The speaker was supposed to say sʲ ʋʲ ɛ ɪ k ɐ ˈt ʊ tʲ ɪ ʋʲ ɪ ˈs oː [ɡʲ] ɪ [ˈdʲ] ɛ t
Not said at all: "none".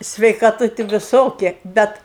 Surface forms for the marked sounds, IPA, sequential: kʲ, bʲ

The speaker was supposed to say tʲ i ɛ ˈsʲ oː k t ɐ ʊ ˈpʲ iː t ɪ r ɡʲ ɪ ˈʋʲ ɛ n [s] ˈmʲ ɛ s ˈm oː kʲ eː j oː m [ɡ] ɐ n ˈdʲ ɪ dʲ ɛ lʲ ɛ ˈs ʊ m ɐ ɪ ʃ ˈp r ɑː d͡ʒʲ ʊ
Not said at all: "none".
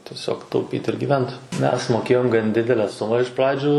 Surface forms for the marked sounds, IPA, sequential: t, ɡ

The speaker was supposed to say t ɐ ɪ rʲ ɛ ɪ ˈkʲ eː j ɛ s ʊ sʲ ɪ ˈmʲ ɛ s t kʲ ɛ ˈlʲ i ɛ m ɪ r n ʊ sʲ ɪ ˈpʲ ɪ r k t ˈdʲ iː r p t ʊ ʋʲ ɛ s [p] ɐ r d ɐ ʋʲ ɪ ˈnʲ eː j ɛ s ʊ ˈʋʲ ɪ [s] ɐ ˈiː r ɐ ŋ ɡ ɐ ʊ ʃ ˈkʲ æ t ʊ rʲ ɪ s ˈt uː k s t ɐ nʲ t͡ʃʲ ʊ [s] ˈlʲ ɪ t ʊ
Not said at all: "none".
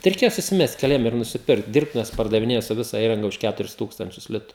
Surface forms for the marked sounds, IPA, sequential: p, s, s

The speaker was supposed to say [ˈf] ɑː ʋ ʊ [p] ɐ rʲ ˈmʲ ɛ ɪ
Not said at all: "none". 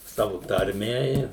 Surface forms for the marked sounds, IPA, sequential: s, t

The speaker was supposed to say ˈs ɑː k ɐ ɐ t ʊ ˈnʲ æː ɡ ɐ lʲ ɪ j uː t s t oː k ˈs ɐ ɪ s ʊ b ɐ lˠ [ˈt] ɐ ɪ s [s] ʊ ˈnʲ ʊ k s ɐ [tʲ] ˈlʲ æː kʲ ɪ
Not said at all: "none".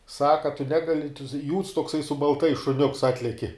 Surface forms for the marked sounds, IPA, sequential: t, ʃ, tʲ

